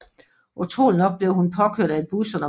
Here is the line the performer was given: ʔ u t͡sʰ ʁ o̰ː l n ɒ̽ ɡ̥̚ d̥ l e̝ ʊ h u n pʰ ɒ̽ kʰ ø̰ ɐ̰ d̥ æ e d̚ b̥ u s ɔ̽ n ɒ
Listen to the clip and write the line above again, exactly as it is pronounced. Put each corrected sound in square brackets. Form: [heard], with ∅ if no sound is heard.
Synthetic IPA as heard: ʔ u t͡sʰ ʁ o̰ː l n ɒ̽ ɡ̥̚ [b̥] l e̝ ʊ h u n pʰ ɒ̽ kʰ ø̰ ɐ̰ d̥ æ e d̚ b̥ u s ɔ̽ n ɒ